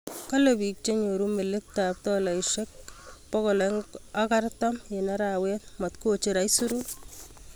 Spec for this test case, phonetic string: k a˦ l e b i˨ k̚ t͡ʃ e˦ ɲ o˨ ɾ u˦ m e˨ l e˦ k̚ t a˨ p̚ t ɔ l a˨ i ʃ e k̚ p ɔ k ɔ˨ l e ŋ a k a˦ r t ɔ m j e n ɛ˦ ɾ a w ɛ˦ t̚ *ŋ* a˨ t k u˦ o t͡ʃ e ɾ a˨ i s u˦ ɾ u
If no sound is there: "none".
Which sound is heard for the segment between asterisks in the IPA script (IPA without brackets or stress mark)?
m